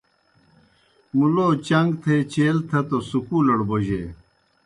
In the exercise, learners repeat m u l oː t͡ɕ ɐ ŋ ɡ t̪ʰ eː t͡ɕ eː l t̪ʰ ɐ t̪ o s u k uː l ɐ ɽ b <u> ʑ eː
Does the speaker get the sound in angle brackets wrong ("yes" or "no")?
yes